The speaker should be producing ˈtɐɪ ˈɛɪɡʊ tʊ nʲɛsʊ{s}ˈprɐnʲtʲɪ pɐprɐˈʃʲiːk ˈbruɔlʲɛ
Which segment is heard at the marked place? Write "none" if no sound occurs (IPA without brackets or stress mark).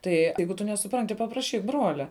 none